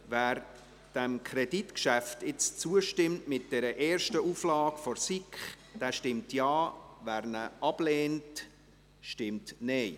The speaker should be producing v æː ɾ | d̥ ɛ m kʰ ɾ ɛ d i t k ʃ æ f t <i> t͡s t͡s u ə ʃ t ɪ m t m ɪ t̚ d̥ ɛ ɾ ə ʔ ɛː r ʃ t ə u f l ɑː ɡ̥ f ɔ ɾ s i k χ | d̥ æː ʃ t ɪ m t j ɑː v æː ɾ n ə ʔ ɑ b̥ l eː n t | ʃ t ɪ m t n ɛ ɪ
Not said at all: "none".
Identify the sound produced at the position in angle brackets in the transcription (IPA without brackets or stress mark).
ɪ